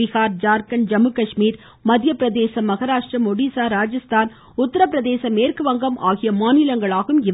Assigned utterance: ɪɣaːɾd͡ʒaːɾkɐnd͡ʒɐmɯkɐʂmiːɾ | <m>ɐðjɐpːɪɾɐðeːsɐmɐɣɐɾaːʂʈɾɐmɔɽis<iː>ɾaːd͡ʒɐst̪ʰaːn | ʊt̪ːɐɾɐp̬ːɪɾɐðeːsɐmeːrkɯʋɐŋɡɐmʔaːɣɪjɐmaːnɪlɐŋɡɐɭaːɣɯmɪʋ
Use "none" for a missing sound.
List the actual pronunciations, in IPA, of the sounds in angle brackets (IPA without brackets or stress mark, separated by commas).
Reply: m, aː